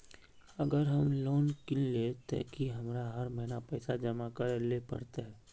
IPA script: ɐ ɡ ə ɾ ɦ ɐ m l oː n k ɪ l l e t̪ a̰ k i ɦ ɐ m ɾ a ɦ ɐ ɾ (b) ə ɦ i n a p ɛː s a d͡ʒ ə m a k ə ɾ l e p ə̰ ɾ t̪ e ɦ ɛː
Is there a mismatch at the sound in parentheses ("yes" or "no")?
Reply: yes